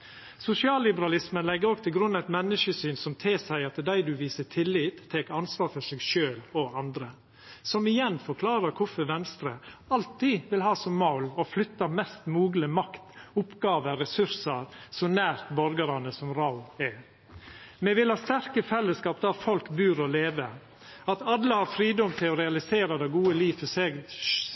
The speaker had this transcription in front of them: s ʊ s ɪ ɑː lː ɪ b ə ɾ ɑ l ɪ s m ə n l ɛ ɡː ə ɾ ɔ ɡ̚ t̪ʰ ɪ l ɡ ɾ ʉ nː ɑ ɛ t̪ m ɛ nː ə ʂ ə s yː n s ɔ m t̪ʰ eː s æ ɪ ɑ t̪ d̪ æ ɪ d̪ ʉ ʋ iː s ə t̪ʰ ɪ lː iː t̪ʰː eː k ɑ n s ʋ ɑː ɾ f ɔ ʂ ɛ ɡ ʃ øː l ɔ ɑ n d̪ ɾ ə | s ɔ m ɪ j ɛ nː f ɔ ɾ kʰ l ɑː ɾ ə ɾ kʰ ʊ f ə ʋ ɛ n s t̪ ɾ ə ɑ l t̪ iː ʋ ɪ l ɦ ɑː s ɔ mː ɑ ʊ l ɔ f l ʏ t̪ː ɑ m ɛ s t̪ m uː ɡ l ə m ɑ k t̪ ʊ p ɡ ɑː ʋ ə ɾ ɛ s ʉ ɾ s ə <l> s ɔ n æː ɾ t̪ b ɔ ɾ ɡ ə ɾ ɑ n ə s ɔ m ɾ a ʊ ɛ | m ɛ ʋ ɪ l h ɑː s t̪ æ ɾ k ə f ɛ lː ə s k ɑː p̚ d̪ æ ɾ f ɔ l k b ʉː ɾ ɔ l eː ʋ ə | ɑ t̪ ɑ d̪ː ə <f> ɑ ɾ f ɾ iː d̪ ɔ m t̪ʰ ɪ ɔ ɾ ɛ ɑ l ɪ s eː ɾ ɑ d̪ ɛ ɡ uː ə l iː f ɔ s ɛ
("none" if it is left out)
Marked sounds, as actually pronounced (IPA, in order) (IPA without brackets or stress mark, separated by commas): ɾ, h